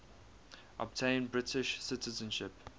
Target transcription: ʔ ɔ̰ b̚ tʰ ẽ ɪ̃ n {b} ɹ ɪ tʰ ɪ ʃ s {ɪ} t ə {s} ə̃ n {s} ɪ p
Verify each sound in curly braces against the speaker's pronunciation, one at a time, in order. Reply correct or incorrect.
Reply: correct, correct, incorrect: z, incorrect: ʃ

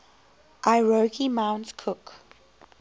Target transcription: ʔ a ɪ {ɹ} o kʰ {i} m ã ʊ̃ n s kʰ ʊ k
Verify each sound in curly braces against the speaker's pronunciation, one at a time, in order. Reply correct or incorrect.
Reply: correct, correct

